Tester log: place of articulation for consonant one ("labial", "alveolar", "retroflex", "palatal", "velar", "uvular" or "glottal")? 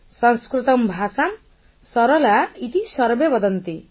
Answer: alveolar